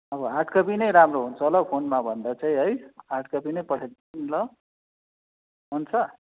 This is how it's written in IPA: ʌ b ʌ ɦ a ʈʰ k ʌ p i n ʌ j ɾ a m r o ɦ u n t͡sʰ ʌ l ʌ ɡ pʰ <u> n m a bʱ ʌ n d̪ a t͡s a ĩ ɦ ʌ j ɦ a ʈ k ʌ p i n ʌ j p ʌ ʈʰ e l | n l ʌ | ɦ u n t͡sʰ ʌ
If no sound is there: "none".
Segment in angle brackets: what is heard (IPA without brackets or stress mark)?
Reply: o